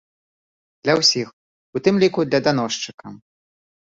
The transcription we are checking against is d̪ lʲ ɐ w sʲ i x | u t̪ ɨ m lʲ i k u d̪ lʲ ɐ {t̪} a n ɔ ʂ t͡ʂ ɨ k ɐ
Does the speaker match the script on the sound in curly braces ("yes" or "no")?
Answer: no